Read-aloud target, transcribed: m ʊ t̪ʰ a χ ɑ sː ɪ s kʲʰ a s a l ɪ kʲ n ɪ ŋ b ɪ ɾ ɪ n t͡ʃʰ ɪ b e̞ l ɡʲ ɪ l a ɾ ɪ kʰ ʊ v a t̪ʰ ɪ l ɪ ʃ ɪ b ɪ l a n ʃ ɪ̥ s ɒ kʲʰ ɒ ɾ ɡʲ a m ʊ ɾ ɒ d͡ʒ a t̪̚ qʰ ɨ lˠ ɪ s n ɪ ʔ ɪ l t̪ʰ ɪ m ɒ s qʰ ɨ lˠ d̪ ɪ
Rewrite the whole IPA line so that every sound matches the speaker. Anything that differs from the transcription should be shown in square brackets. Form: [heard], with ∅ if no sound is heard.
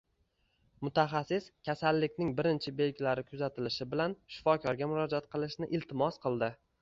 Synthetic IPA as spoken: m ʊ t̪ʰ a χ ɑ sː ɪ s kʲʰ a s a [lː] ɪ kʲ n ɪ ŋ b ɪ ɾ ɪ n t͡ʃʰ ɪ b e̞ l ɡʲ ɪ l a ɾ ɪ kʰ ʊ [z] a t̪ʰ ɪ l ɪ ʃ ɪ b ɪ l a n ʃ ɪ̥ [f] ɒ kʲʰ ɒ ɾ ɡʲ a m ʊ ɾ ɒ d͡ʒ a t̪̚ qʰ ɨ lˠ ɪ [ʃ] n ɪ ʔ ɪ l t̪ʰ ɪ m ɒ s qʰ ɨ lˠ d̪ ɪ